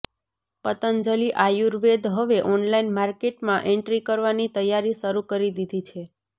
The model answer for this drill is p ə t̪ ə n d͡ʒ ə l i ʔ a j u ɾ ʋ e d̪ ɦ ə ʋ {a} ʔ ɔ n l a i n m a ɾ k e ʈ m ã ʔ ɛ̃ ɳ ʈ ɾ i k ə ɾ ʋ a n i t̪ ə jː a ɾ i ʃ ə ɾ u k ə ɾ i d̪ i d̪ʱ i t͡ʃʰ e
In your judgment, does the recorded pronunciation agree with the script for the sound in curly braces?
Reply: no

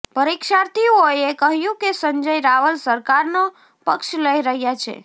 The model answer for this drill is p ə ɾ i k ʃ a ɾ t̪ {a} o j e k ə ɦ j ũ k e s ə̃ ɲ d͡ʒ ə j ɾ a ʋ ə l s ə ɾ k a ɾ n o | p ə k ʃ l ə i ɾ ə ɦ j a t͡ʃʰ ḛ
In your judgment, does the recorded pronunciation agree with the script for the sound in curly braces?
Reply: no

